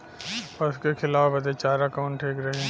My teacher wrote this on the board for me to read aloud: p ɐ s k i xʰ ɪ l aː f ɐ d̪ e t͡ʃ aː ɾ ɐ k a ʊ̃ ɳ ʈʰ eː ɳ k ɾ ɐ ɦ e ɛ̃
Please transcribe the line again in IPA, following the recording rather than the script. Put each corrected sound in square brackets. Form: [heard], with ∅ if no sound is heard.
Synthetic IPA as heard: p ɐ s k [e] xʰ ɪ l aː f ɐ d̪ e t͡ʃ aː ɾ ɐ k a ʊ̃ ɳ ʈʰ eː [∅] k ɾ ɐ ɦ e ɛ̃

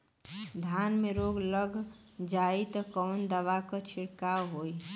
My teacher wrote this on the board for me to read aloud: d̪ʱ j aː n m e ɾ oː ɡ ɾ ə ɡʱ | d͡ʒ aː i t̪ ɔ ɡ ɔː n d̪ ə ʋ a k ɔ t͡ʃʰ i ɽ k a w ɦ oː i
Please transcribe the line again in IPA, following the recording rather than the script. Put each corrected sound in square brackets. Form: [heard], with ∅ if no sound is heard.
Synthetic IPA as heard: d̪ʱ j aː n m e ɾ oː ɡ [l] ə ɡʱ | d͡ʒ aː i t̪ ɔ [k] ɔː n d̪ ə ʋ a k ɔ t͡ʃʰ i ɽ k a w ɦ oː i

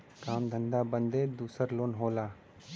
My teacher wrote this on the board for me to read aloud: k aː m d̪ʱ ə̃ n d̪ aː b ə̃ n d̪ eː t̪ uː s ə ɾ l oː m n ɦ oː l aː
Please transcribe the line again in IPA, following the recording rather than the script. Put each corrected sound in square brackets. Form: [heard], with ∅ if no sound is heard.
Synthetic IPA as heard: k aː m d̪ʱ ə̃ n d̪ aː b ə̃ n d̪ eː [d̪] uː s ə ɾ l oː [∅] n ɦ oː l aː

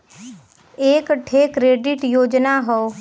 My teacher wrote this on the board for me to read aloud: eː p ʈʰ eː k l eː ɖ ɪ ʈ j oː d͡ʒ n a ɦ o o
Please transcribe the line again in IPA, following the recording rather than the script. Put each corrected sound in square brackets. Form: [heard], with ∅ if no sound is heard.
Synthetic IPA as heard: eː [k] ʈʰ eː k [ɾ] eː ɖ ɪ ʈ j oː d͡ʒ n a ɦ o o

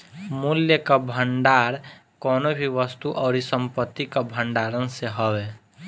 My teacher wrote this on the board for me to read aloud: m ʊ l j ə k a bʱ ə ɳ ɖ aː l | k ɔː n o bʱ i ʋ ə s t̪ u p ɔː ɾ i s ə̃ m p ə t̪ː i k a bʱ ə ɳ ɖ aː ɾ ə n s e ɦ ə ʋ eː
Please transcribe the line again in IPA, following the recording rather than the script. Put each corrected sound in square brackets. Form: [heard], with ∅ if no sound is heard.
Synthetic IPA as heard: m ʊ l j ə k a bʱ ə ɳ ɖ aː [ɾ] | k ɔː n o bʱ i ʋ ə s t̪ u [ʔ] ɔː ɾ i s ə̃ m p ə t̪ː i k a bʱ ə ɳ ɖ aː ɾ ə n s e ɦ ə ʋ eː

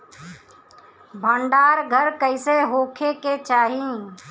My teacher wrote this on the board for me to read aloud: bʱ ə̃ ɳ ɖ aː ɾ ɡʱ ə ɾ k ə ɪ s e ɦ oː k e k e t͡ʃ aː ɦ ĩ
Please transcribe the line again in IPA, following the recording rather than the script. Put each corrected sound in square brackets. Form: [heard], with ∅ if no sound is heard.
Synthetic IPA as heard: bʱ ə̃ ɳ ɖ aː ɾ ɡʱ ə ɾ k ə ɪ s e ɦ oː [kʰ] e k e t͡ʃ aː ɦ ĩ

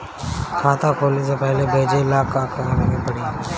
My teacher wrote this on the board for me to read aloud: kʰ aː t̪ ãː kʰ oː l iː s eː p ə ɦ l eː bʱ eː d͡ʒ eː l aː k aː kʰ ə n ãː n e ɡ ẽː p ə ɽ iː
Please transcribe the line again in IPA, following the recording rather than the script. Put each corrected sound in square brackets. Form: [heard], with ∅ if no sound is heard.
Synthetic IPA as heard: kʰ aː t̪ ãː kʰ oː l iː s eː p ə ɦ l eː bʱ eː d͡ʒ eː l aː k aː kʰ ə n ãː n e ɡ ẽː p ə ɽ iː

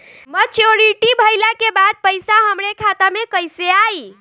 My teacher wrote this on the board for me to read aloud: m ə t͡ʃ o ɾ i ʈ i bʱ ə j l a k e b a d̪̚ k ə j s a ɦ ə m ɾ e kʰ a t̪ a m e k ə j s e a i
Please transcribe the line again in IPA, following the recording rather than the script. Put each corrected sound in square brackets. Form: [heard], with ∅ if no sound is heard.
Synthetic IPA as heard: m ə t͡ʃ o ɾ i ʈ i bʱ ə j l a k e b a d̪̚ [p] ə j s a ɦ ə m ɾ e kʰ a t̪ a m e k ə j s e a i

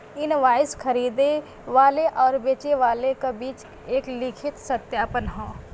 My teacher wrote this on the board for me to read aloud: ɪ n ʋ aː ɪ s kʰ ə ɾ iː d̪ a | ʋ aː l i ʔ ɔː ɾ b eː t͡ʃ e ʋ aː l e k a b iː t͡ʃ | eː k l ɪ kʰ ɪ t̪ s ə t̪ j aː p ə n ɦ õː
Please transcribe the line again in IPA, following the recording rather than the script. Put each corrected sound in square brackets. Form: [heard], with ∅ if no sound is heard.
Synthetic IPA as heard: ɪ n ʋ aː ɪ s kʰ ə ɾ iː d̪ [e] | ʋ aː l [e] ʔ ɔː ɾ b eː t͡ʃ e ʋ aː l e k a b iː t͡ʃ | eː k l ɪ kʰ ɪ t̪ s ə t̪ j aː p ə n ɦ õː

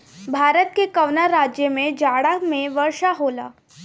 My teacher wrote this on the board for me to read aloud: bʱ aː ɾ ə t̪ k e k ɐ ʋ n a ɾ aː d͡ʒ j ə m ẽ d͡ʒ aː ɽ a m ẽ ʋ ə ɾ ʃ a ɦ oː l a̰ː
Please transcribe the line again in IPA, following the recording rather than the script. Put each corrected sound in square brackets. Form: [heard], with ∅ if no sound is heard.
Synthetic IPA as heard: bʱ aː ɾ ə t̪ k e k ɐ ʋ n a ɾ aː d͡ʒ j ə m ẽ d͡ʒ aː ɽ a m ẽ ʋ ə ɾ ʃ a ɦ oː l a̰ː

